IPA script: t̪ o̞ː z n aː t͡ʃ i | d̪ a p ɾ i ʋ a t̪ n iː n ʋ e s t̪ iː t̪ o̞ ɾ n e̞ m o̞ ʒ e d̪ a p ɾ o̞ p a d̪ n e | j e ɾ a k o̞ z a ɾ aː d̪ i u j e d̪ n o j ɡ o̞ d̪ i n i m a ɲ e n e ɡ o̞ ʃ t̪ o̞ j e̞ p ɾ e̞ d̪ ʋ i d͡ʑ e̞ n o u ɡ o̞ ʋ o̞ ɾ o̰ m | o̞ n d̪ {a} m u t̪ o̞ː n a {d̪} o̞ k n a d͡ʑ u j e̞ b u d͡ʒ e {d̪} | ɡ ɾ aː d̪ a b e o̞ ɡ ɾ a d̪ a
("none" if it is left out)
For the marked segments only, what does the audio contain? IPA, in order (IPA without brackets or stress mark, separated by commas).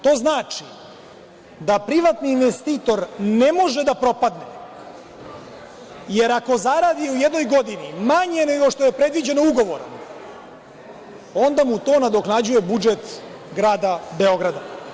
a, d̪, t̪